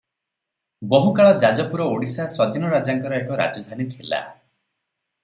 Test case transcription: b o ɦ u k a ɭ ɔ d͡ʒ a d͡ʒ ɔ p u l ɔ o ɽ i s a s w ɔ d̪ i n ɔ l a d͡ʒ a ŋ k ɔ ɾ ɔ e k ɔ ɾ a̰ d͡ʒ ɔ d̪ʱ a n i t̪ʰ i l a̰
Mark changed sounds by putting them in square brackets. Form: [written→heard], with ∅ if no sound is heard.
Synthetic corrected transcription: b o ɦ u k a ɭ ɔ d͡ʒ a d͡ʒ ɔ p u [l→ɾ] ɔ o ɽ i s a s w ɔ d̪ i n ɔ [l→ɾ] a d͡ʒ a ŋ k ɔ ɾ ɔ e k ɔ ɾ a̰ d͡ʒ ɔ d̪ʱ a n i t̪ʰ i l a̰